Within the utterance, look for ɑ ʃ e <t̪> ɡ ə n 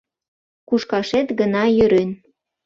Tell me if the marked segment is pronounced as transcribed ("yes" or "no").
yes